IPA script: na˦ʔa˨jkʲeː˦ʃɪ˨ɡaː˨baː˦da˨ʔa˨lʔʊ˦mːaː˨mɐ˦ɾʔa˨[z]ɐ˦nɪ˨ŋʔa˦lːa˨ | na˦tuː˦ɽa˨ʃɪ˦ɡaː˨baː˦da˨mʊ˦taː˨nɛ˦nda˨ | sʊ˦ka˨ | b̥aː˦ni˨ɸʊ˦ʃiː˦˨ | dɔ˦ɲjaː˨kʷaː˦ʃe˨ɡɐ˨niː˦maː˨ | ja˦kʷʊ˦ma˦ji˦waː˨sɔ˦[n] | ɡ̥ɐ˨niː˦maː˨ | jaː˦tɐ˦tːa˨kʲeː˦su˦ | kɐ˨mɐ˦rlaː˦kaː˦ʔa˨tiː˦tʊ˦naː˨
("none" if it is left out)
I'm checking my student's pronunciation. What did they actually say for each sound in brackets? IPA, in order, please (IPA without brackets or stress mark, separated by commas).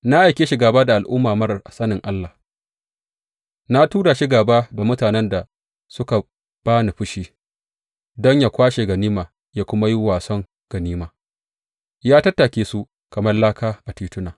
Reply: s, ŋ